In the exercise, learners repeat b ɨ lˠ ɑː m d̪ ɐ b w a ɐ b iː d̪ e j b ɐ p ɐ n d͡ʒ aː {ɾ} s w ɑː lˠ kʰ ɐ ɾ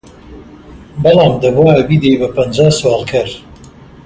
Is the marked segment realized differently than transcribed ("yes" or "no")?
yes